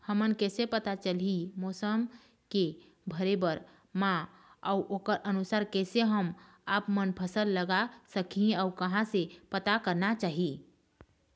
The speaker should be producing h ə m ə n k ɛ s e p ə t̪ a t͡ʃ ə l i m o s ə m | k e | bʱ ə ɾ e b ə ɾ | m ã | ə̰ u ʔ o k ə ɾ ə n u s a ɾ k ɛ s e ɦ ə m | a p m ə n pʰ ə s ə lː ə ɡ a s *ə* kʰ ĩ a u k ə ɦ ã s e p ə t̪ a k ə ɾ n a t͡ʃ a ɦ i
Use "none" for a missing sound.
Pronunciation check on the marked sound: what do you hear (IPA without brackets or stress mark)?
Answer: ə